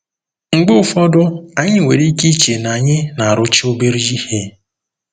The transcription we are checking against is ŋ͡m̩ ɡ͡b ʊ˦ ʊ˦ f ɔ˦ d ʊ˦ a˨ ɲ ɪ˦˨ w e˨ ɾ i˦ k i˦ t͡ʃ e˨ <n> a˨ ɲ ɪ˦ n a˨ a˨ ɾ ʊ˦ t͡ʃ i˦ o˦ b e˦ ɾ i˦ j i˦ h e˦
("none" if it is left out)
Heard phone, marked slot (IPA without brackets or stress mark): n